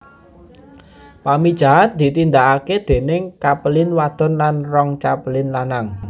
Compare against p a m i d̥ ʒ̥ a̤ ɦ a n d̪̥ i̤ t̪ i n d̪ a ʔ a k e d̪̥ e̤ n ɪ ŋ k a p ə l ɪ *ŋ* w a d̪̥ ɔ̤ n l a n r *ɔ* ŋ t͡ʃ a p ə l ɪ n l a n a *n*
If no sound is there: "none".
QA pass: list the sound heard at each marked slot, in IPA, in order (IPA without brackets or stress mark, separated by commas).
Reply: n, ɔ, ŋ